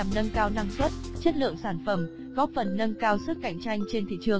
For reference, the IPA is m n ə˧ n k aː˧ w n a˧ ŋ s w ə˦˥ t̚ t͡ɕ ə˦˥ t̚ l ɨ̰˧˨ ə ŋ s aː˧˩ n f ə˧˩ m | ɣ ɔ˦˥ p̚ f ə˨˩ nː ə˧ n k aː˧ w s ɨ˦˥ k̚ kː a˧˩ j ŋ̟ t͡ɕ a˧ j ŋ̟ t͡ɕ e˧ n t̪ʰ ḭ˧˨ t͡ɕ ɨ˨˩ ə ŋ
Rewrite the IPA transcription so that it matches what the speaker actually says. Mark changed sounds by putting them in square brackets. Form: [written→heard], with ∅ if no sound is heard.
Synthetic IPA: m n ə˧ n k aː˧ w n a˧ ŋ s w ə˦˥ t̚ t͡ɕ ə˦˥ t̚ l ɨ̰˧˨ ə ŋ s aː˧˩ n f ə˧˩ m | ɣ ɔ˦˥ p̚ f ə˨˩ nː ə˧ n k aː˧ w s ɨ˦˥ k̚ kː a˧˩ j ŋ̟ t͡ɕ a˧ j ŋ̟ t͡ɕ e˧ n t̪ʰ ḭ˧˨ t͡ɕ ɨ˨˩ ə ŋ